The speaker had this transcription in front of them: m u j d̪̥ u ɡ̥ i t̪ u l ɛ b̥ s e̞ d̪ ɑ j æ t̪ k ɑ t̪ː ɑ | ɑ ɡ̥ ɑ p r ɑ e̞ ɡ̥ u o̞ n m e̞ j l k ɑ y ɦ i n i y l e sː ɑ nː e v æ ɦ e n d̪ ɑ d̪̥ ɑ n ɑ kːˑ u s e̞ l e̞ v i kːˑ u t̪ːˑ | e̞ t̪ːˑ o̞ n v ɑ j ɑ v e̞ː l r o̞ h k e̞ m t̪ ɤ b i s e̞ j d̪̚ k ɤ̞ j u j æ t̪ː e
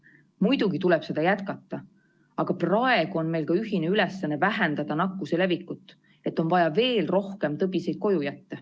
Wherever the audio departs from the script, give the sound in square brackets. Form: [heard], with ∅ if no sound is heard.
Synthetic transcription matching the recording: m u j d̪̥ u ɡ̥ i t̪ u l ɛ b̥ s e̞ d̪ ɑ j æ t̪ k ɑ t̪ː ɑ | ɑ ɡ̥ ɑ p r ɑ e̞ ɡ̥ u o̞ n m e̞ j l k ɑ y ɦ i n [e] y l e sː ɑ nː e v æ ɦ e n d̪ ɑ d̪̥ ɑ n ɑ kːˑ u s e̞ l e̞ v i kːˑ u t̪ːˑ | e̞ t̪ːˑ o̞ n v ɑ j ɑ v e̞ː l r o̞ h k e̞ m t̪ ɤ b i s e̞ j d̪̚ k [o̞] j u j æ t̪ː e